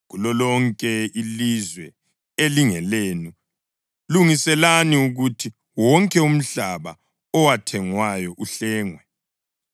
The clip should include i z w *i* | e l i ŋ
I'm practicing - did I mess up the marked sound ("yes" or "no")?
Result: yes